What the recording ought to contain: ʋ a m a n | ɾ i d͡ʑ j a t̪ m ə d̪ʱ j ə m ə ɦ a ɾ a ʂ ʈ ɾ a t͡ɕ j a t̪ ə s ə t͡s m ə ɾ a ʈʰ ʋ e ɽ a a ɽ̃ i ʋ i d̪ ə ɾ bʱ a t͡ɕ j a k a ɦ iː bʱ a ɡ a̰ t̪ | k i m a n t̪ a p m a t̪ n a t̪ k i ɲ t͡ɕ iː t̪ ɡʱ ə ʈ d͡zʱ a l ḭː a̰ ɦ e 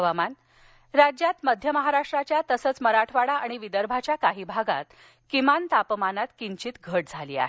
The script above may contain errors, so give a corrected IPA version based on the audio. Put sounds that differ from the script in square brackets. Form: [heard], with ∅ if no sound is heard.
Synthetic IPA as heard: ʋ a m a n | ɾ [a] d͡ʑ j a t̪ m ə d̪ʱ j ə m ə ɦ a ɾ a ʂ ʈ ɾ a t͡ɕ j a t̪ ə s ə t͡s m ə ɾ a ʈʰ ʋ [a] ɽ a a ɽ̃ i ʋ i d̪ ə ɾ bʱ a t͡ɕ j a k a ɦ iː bʱ a ɡ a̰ t̪ | k i m a n t̪ a p m a [∅] n a t̪ k i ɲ t͡ɕ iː t̪ ɡʱ ə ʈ d͡zʱ a l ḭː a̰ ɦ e